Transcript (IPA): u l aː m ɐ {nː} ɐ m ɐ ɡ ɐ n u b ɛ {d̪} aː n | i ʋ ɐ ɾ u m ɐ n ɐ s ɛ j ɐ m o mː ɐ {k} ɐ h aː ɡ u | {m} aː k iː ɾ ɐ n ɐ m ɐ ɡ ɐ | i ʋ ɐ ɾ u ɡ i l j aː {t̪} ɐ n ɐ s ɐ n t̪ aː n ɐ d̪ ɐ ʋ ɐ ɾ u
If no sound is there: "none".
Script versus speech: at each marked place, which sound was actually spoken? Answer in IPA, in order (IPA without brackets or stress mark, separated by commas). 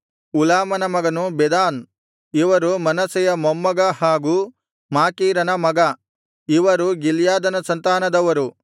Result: n, d̪, ɡ, m, d̪